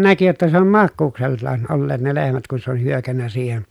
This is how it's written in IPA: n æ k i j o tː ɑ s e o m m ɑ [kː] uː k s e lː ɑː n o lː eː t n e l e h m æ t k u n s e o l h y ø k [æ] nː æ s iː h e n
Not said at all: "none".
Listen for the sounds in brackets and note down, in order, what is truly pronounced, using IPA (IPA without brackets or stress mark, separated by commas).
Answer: kː, æ